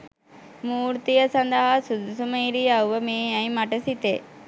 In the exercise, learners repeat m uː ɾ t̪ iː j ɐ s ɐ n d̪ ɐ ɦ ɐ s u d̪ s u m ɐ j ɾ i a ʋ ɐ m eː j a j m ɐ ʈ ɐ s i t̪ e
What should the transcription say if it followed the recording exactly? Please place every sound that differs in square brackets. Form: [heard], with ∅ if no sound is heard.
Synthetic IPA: m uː ɾ t̪ [i] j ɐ s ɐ n d̪ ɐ ɦ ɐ s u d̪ s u m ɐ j ɾ i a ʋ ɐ m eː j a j m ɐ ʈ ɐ s i t̪ e